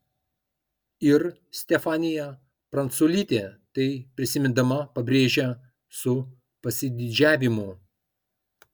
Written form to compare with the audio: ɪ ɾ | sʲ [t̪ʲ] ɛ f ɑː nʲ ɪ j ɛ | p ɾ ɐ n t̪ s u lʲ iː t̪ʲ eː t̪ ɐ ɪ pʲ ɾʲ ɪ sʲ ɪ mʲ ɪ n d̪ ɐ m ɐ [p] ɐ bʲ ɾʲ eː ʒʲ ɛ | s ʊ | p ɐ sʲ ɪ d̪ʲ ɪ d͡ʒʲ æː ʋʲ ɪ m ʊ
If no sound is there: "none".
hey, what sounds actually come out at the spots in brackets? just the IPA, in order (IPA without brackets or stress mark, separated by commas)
t̪ʲ, p